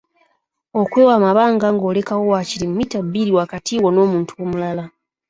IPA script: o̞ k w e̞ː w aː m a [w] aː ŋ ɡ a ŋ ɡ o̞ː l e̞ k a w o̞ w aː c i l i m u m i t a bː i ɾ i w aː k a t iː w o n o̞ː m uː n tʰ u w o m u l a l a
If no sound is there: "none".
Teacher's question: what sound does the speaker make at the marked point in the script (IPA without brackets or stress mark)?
β